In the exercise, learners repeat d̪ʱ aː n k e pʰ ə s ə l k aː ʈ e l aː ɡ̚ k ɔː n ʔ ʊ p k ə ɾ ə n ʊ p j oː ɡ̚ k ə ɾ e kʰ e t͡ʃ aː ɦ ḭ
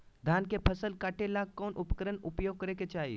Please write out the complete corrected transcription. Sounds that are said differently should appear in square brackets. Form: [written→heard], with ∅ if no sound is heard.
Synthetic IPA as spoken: d̪ʱ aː n k e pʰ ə s ə l k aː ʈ e l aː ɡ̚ k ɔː n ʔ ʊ p k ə ɾ ə n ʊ p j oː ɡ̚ k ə ɾ e [kʰ→k] e t͡ʃ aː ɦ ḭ